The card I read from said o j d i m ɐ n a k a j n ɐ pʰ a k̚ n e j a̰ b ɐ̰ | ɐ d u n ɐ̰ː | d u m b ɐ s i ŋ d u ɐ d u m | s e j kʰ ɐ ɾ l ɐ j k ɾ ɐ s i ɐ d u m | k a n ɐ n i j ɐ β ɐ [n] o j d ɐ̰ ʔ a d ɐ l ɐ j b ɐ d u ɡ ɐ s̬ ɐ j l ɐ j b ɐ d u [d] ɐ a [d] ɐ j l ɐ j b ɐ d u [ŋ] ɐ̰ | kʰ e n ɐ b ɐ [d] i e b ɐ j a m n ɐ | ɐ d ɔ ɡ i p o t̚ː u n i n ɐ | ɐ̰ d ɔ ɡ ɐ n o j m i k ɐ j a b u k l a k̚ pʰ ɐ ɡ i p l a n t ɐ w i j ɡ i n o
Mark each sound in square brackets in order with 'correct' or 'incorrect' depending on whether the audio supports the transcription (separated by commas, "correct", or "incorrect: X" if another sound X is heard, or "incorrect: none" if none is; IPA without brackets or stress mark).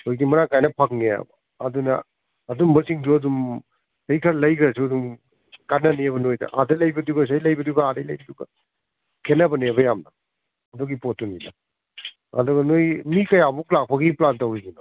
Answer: correct, incorrect: ɡ, correct, incorrect: ɡ, incorrect: n